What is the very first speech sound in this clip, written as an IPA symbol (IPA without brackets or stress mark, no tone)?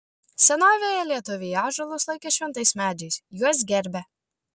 sʲ